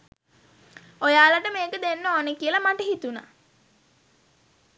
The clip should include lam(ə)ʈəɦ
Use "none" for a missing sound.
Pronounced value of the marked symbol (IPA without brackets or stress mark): a